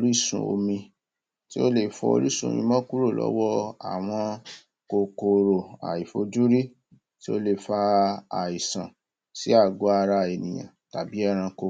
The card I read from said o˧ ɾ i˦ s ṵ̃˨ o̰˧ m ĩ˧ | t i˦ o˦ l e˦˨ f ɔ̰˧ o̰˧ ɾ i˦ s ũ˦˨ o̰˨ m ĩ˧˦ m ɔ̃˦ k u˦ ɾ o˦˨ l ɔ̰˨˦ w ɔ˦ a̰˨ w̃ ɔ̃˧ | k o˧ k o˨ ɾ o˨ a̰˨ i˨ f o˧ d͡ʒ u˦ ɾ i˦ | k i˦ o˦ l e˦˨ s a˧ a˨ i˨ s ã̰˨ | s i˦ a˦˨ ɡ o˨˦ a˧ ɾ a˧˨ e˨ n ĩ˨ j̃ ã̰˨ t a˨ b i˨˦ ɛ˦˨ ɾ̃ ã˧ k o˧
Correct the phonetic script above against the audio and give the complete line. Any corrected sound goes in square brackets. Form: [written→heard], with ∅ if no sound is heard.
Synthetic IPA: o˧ ɾ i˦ s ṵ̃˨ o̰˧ m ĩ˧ | t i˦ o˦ l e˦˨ f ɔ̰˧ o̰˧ ɾ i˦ s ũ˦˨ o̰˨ m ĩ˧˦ m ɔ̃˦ k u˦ ɾ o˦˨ l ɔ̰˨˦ w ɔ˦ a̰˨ w̃ ɔ̃˧ | k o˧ k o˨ ɾ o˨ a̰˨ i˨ f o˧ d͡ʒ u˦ ɾ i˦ | [k→t] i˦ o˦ l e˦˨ [s→f] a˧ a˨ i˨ s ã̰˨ | s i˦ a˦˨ ɡ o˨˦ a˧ ɾ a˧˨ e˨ n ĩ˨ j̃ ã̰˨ t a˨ b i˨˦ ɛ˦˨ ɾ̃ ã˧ k o˧